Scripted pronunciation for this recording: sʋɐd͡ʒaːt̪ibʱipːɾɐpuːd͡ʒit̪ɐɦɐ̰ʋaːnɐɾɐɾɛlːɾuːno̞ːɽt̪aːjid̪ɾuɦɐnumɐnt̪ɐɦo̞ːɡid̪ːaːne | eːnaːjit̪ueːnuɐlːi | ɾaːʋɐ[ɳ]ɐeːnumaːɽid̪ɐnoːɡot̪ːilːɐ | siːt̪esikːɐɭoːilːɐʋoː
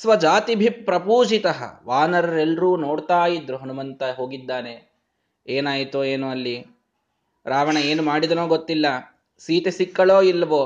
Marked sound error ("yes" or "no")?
no